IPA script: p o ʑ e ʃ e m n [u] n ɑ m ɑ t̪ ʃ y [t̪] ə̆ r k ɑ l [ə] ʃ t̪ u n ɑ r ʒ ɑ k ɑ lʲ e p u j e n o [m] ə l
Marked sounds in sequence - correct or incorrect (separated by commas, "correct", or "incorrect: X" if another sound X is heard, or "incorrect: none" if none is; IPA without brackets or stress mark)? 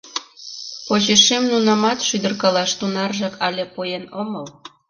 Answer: correct, incorrect: d̪, incorrect: ɑ, correct